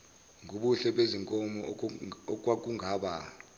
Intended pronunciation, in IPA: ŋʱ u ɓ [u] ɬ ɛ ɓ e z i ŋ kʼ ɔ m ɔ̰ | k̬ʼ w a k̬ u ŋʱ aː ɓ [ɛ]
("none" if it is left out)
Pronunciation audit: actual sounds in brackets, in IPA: u, a

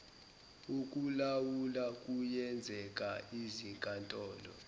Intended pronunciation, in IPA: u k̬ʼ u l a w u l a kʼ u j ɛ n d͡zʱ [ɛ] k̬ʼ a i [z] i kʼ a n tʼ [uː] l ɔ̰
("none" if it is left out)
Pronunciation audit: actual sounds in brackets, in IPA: ɛ, z, ɔː

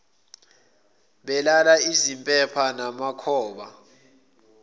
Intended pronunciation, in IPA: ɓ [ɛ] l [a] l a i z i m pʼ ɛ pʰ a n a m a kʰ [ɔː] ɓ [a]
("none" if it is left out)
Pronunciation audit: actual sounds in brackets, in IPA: ɛ, a, ɔː, a

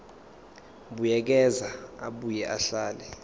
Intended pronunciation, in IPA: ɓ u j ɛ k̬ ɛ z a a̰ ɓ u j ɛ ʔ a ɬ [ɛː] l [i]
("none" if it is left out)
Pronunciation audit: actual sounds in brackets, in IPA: aː, ɛ

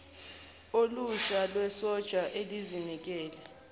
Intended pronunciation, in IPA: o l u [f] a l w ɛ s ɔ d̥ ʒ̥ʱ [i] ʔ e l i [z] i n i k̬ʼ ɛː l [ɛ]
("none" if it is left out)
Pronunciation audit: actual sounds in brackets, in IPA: ʃ, a, z, ɛ

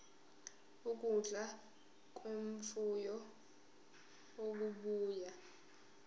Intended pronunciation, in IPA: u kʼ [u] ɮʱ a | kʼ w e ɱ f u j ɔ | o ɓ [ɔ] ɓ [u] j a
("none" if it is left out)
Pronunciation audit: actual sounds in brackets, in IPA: u, u, uː

